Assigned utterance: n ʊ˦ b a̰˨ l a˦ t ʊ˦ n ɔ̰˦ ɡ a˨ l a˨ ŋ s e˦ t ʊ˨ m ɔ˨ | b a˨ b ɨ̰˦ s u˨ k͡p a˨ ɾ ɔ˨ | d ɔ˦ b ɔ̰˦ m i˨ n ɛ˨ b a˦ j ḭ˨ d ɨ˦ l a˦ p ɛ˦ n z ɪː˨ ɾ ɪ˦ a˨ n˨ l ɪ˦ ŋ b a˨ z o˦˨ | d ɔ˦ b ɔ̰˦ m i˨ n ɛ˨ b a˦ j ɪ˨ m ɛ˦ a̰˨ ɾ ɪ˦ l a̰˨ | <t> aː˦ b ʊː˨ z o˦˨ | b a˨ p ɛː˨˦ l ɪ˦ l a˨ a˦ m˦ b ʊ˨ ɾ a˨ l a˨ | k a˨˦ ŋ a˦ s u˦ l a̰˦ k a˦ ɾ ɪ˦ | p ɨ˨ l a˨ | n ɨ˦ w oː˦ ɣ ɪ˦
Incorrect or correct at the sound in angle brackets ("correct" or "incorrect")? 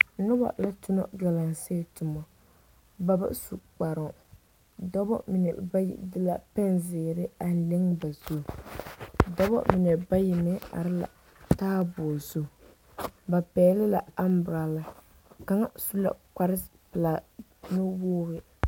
correct